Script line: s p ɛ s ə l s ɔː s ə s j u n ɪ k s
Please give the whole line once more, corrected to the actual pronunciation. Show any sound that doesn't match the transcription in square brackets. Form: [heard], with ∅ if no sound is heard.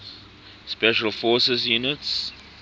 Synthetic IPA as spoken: s p ɛ [ʃ] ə l [f] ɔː s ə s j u n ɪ [t] s